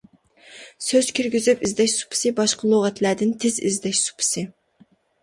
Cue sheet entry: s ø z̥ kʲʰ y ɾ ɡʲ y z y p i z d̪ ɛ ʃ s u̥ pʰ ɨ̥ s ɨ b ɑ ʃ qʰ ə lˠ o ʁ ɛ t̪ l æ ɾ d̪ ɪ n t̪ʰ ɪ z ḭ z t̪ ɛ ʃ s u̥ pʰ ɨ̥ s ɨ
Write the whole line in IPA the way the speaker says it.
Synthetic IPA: s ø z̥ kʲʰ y ɾ ɡʲ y z y p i z d̪ ɛ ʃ s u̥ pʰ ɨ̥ s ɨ b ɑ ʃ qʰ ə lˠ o ʁ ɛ t̪ l æ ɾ d̪ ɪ n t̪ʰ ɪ z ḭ z d̪ ɛ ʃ s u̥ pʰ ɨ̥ s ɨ